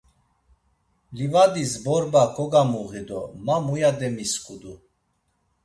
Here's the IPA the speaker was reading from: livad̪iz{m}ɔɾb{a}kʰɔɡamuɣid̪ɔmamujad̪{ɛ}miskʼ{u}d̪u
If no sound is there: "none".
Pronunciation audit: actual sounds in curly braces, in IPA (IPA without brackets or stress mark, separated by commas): b, a, ɛ, u